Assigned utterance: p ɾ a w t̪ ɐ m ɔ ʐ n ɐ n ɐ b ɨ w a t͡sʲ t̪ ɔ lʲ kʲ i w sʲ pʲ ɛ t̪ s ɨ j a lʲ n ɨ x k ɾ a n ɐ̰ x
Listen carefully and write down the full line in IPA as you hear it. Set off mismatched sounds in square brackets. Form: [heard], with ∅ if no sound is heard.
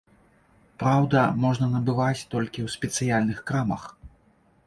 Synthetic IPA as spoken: p ɾ a w [d̪] ɐ m ɔ ʐ n ɐ n ɐ b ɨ [v] a t͡sʲ t̪ ɔ lʲ kʲ i w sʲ pʲ ɛ t̪ s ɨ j a lʲ n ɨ x k ɾ a [m] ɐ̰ x

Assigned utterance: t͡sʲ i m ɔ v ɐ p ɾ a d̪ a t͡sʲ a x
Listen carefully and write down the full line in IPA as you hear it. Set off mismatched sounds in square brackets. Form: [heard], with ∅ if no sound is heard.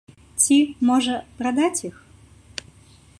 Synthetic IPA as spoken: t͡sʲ i m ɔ [ʐ] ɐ p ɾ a d̪ a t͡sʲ [i] x

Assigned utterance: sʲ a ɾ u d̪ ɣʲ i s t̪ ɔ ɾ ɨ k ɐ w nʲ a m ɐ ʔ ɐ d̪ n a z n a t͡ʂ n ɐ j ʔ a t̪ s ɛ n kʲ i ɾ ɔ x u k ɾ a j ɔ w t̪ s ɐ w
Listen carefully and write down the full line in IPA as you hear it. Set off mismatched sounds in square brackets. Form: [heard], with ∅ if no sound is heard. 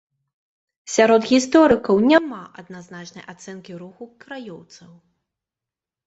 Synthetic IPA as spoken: sʲ a ɾ [ɔ] d̪ ɣʲ i s t̪ ɔ ɾ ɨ k ɐ w nʲ a m [a] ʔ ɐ d̪ n a z n a t͡ʂ n ɐ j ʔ a t̪ s ɛ n kʲ i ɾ [u] x u k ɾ a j ɔ w t̪ s ɐ w

